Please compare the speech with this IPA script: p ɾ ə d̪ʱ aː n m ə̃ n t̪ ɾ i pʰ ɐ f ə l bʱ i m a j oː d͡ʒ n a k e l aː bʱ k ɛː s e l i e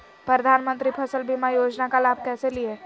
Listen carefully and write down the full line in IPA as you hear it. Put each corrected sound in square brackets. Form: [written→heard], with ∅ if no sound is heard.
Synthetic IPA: p ɾ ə d̪ʱ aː n m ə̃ n t̪ ɾ i pʰ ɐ [f→s] ə l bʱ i m a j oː d͡ʒ n a k [e→a] l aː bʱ k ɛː s e l i e